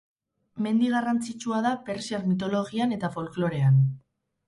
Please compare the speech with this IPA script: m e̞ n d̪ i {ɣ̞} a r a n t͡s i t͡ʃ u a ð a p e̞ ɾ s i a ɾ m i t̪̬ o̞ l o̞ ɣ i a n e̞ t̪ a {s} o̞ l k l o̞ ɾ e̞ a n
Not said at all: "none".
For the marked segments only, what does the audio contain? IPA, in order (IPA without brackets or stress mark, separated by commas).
ɣ̞, f